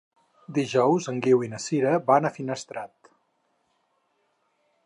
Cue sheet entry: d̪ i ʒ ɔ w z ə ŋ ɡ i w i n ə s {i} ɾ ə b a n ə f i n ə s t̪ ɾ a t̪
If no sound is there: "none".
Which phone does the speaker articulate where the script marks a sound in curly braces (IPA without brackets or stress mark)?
i